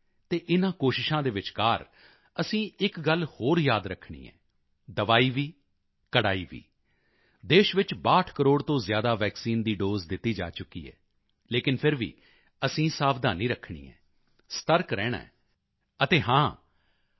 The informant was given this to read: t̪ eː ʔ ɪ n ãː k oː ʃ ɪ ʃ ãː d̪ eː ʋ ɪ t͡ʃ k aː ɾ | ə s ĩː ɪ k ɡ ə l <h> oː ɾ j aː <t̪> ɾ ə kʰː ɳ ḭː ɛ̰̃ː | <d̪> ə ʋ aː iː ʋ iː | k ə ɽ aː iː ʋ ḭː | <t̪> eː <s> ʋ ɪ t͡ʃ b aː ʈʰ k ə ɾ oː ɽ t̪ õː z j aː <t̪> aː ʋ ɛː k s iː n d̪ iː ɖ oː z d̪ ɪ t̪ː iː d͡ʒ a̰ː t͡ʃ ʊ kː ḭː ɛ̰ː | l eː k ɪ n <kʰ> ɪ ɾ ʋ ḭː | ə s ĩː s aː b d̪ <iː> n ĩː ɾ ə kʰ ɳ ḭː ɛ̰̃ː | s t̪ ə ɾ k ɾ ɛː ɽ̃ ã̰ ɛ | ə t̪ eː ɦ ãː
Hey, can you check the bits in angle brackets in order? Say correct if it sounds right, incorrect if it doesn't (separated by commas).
correct, incorrect, correct, incorrect, incorrect, incorrect, incorrect, incorrect